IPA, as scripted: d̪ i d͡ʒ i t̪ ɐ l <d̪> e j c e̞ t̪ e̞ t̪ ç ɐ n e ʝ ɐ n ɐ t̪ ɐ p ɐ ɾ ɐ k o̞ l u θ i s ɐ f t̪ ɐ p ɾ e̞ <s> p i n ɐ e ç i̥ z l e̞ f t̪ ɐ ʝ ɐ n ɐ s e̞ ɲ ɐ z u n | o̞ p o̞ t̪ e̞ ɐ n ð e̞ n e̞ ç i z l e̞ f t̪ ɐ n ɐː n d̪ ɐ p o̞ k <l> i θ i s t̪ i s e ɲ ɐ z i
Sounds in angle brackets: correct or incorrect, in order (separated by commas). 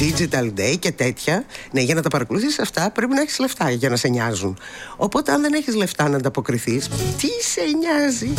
correct, incorrect, incorrect